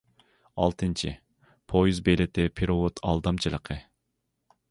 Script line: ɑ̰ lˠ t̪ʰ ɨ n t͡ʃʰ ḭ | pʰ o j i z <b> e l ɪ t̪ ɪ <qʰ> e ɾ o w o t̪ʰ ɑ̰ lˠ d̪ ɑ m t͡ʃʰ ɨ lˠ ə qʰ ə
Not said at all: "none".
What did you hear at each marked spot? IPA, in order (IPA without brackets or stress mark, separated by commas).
b, pʰ